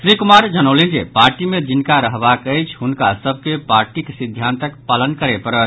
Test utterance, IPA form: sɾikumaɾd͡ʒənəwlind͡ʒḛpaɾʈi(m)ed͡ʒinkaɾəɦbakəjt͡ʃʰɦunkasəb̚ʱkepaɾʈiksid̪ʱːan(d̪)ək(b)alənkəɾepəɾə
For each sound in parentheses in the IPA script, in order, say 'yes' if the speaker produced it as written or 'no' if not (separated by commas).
yes, no, no